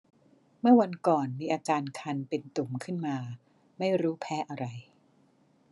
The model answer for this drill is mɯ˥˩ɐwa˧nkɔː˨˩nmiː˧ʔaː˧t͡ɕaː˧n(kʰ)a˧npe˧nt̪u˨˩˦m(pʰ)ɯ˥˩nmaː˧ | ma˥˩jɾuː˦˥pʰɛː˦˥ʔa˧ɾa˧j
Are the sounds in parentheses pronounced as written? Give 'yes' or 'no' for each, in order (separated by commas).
yes, no